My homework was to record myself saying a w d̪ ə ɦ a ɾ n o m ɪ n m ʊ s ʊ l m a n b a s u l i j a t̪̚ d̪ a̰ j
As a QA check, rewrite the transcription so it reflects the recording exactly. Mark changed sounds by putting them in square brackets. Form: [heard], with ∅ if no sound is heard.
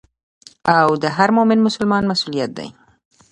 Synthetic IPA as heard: a w d̪ ə ɦ a ɾ [m] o m ɪ n m ʊ s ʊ l m [ɑ] n [m] a s u l i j a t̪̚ d̪ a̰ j